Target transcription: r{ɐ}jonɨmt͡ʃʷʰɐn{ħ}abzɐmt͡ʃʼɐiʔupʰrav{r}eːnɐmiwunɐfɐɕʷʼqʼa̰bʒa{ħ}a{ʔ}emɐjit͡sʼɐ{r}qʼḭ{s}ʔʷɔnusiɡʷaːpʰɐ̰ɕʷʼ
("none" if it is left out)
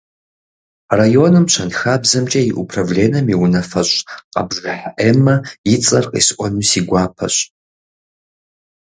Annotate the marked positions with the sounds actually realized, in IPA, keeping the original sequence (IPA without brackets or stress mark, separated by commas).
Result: a, x, l, ħ, ʔ, r, s